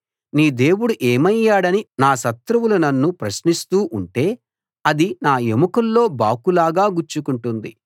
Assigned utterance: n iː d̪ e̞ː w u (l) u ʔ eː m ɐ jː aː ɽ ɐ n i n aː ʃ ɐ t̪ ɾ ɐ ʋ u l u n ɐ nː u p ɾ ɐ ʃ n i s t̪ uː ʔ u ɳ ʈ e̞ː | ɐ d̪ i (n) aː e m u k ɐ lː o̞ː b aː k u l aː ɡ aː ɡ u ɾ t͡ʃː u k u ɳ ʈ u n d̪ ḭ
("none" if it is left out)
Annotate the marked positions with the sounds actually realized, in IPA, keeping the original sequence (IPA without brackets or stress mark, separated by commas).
ɽ, n